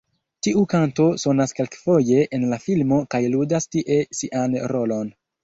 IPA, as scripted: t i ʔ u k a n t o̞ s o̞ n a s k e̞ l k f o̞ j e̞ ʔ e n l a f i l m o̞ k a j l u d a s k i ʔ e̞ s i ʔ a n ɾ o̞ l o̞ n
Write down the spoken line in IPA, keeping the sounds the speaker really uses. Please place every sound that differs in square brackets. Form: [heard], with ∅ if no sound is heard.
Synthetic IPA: t i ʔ u k a n t o̞ s o̞ n a s k e̞ l k f o̞ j e̞ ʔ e n l a f i l m o̞ k a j l u d a s [t] i ʔ e̞ s i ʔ a n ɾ o̞ l o̞ n